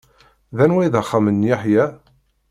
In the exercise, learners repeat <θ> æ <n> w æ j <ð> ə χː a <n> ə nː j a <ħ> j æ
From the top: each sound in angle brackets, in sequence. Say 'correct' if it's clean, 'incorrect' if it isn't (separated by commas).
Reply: incorrect, correct, correct, incorrect, correct